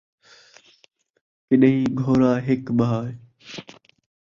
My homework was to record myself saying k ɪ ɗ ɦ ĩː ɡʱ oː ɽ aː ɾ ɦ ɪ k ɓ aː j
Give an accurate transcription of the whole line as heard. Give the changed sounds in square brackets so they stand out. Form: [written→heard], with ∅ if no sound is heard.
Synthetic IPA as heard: k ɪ ɗ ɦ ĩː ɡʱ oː [ɽ→ɾ] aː [ɾ→∅] ɦ ɪ k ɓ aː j